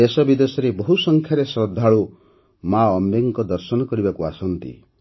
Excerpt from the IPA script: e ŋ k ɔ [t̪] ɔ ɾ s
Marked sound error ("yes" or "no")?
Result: yes